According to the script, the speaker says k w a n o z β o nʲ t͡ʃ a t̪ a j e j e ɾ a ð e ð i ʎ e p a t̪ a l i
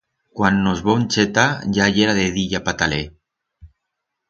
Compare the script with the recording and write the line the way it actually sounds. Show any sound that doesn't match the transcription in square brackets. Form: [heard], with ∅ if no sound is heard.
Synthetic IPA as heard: k w a [nː] o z β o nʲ t͡ʃ [e] t̪ a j [a] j e ɾ a ð e ð i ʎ [a] p a t̪ a l [e]